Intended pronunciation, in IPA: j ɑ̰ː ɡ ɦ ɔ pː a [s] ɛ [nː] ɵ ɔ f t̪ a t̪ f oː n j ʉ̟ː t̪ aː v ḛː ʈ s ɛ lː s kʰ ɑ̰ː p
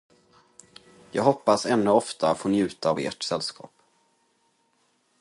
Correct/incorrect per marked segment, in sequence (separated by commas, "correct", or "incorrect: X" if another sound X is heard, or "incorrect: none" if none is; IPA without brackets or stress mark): correct, correct